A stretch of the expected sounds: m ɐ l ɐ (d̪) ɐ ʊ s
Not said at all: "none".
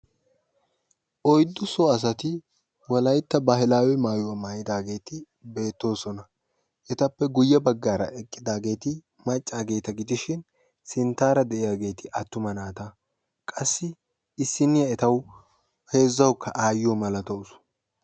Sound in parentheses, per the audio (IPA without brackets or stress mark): t̪